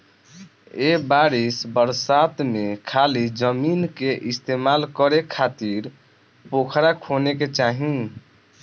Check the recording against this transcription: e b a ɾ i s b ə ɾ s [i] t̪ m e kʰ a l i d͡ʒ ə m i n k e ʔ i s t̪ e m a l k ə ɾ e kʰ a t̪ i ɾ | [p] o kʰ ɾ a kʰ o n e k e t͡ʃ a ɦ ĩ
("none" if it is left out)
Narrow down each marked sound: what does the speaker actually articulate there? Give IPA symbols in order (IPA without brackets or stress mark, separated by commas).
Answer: a, p